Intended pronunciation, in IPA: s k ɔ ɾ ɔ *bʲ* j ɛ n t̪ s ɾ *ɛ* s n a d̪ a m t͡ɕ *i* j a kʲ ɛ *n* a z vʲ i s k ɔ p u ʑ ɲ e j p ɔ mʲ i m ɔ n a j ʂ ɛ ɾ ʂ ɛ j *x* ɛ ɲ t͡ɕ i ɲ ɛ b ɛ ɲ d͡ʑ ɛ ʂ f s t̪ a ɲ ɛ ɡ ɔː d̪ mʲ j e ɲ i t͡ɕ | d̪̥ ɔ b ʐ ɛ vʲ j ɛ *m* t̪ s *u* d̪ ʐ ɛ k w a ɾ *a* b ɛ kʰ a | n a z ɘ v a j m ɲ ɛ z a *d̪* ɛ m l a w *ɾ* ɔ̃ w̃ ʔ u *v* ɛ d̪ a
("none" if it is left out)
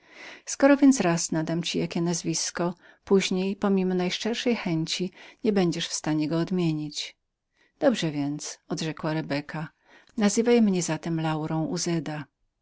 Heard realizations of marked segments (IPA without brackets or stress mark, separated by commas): vʲ, a, i, n, x, n, ɔ, ɛ, t̪, ɾ, z